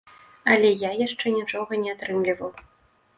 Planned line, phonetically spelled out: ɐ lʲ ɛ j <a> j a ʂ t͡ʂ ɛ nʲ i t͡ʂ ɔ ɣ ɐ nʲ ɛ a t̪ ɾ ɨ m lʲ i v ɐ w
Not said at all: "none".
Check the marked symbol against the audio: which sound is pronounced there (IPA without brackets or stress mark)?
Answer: a